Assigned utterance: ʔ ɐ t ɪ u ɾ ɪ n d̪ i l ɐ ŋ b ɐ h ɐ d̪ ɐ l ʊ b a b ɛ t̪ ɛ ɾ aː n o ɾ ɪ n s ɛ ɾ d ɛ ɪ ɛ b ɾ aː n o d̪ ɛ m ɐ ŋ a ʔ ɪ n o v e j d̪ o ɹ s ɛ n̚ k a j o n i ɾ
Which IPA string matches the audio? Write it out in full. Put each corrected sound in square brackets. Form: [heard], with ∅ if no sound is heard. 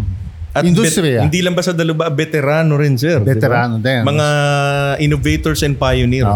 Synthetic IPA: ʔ ɐ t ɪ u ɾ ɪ n d̪ i l ɐ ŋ b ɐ [s] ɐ d̪ ɐ l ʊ b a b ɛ t̪ ɛ ɾ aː n o ɾ ɪ n s ɛ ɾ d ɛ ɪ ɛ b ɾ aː n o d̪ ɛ m ɐ ŋ a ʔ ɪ n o v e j [t̪] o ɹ s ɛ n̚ [p] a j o n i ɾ